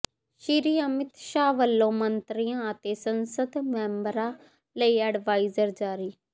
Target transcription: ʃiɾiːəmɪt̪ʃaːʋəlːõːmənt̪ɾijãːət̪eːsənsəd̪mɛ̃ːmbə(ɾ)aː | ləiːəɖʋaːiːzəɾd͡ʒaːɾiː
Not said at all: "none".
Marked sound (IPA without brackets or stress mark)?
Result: ɾ